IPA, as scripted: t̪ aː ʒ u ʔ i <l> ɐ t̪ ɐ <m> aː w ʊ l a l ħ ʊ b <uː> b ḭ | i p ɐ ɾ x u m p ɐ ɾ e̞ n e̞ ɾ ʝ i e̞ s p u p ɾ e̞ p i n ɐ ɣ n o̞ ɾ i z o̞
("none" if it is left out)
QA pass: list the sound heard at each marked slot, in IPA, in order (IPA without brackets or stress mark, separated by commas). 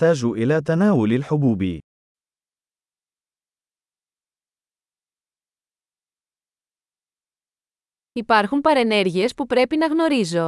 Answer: l, n, uː